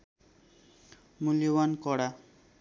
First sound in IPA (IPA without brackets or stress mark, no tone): m